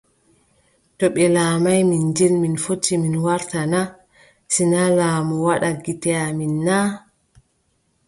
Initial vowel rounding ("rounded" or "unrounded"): rounded